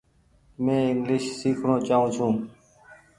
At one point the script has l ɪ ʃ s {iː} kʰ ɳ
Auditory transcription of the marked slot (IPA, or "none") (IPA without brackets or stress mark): iː